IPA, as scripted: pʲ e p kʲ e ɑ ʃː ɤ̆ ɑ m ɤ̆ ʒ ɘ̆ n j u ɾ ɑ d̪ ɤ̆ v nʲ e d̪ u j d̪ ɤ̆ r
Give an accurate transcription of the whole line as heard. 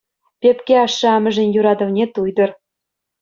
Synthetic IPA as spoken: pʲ e p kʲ e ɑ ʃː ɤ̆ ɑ m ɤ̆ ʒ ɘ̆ n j u ɾ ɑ d̪ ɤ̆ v nʲ e t̪ u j d̪ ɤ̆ r